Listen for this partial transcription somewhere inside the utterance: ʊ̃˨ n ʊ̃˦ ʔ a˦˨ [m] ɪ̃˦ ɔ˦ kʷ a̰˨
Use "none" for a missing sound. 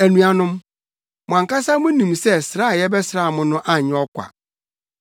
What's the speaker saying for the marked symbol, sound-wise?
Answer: ɲ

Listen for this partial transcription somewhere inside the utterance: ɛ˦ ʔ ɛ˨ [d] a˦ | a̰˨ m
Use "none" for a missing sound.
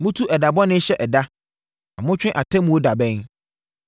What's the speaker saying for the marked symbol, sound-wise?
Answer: d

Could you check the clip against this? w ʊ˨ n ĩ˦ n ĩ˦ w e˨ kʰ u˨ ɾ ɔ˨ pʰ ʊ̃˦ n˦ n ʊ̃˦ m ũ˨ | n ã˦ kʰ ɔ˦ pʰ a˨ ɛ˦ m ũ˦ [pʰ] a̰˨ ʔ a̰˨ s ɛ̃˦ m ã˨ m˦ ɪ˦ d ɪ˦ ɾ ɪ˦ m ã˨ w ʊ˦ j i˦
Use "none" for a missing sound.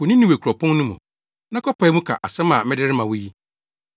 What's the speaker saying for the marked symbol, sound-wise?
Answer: kʰ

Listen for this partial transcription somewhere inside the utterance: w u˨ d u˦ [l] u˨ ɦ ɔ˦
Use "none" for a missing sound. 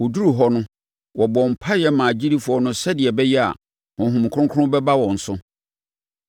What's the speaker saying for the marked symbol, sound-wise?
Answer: ɾ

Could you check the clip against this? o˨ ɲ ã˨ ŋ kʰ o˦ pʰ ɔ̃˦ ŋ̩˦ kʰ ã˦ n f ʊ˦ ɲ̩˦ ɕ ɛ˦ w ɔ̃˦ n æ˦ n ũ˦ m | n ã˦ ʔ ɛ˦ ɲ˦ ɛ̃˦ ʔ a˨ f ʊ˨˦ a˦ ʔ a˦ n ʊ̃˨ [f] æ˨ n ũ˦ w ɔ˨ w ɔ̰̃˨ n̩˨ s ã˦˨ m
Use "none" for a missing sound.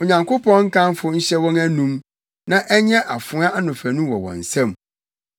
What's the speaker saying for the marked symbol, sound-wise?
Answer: f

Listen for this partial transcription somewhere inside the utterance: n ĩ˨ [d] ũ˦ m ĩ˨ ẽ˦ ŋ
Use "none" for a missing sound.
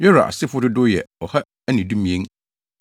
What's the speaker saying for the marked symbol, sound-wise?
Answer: d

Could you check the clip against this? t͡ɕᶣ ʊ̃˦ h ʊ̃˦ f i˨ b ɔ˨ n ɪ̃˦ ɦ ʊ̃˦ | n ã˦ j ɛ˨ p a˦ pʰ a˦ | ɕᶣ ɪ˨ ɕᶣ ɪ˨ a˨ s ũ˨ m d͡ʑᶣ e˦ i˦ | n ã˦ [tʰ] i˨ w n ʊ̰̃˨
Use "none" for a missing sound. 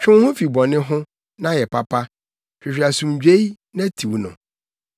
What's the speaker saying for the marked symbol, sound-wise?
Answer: tʰ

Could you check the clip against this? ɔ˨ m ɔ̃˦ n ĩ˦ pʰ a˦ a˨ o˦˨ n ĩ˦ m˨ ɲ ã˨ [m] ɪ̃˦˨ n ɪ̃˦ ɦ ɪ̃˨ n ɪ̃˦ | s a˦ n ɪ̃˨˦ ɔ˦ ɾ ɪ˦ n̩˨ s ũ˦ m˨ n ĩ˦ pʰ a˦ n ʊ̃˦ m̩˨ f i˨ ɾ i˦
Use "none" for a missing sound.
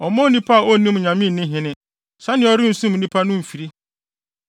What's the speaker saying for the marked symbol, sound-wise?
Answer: m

